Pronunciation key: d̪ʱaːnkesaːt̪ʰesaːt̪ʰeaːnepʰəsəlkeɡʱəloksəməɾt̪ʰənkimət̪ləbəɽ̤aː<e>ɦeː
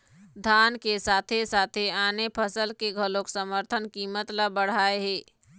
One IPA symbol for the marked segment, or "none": e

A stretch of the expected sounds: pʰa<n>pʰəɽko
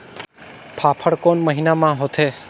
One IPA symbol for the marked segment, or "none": none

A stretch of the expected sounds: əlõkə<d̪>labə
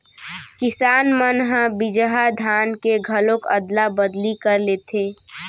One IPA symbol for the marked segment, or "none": d̪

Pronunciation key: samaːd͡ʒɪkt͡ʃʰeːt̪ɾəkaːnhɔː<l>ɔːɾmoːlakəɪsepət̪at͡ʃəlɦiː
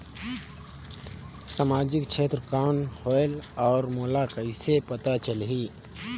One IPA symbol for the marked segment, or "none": l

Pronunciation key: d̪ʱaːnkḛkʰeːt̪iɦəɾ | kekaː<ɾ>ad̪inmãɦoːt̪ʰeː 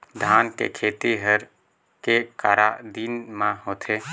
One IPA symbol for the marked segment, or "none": ɾ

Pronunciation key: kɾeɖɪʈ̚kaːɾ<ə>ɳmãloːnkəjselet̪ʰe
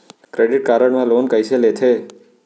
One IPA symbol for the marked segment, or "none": ə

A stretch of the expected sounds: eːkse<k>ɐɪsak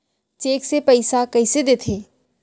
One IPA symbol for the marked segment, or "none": p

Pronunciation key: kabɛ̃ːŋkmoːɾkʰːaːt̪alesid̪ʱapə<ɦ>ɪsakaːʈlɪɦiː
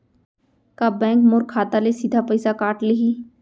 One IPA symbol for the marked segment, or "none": none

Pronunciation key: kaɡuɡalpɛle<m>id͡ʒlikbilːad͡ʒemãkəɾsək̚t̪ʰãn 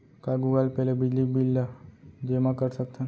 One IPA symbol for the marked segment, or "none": b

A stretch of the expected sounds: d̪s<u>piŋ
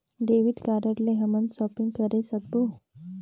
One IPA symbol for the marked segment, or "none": ɔ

